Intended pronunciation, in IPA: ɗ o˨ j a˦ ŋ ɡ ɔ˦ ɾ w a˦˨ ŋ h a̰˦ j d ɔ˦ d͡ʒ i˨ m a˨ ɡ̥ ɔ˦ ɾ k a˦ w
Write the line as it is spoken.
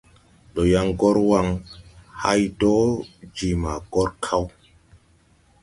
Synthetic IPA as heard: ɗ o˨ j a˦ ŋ ɡ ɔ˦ ɾ w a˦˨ ŋ h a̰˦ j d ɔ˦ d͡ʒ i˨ m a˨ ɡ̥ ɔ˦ ɾ kʰ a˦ w